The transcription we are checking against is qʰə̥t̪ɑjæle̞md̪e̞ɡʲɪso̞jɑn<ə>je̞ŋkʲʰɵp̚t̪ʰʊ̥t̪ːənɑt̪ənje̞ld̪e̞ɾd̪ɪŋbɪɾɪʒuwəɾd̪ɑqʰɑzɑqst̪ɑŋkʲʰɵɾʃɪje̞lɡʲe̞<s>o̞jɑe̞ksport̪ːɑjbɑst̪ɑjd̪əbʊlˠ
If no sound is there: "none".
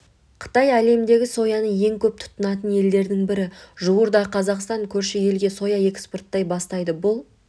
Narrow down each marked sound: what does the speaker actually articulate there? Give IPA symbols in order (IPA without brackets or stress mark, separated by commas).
ə, s